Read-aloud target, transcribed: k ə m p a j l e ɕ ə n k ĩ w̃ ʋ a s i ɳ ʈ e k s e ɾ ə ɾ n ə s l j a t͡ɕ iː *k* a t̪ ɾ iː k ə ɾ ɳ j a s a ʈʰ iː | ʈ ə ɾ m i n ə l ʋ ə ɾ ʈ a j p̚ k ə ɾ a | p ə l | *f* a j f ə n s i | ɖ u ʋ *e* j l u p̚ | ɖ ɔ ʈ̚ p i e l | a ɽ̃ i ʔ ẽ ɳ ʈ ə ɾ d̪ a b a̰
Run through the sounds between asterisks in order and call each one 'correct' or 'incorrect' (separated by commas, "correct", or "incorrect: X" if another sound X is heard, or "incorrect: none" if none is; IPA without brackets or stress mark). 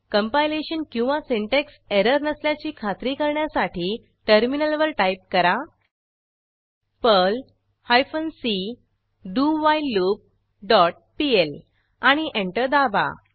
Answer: incorrect: kʰ, incorrect: h, incorrect: a